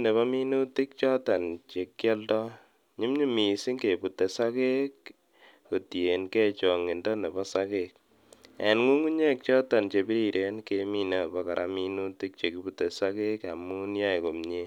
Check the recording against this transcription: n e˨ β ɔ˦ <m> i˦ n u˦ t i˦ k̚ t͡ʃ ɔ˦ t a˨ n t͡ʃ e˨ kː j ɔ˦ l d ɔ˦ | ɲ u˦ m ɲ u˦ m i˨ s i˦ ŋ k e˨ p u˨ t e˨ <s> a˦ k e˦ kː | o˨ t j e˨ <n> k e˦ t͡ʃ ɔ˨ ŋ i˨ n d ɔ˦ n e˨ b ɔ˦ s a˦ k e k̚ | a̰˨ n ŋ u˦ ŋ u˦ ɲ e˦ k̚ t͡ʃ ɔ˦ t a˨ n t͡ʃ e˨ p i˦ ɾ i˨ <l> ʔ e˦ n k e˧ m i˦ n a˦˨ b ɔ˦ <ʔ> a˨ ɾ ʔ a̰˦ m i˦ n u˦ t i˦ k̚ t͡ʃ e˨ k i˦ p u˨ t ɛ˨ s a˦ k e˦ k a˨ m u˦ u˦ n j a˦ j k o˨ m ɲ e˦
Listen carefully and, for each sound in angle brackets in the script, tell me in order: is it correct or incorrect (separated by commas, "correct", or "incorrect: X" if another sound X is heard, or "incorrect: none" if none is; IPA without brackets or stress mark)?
correct, correct, correct, incorrect: ɾ, incorrect: k